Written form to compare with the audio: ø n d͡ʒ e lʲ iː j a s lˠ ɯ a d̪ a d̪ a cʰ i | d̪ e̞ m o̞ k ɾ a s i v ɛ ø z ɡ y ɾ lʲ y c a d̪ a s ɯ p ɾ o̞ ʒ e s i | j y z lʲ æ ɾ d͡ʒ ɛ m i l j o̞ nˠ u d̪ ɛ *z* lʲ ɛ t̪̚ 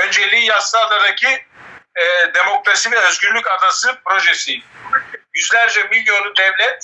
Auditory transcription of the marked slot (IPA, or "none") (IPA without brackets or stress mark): v